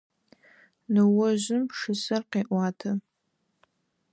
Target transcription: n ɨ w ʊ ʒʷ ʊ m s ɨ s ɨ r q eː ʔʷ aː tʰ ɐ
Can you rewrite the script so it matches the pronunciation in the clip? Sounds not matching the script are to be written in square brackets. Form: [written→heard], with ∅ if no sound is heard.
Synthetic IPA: n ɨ w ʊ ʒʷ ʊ m [s→ʂ] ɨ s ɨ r q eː ʔʷ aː tʰ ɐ